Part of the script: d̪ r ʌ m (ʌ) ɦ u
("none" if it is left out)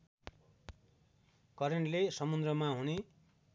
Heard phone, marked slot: a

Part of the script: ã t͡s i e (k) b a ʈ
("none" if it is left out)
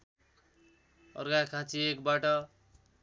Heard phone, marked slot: k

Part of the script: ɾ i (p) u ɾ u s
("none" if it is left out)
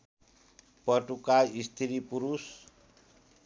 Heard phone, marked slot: p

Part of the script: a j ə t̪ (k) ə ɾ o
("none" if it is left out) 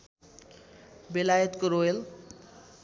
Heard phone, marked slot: k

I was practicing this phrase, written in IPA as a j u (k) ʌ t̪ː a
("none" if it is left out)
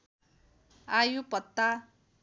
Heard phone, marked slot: p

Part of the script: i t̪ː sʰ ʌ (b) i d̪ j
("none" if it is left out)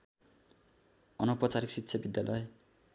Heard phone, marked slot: b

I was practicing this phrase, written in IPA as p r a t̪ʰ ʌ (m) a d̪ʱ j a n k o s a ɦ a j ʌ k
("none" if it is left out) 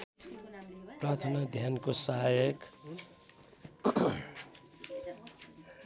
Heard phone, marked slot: n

